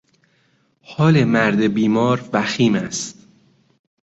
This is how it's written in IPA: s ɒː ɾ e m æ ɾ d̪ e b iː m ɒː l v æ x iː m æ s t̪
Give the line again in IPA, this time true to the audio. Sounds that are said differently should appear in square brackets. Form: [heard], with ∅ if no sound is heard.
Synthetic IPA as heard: [h] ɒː [l] e m æ ɾ d̪ e b iː m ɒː [ɾ] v æ x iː m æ s t̪